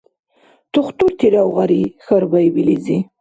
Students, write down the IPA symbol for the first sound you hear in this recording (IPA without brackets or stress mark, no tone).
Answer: t̪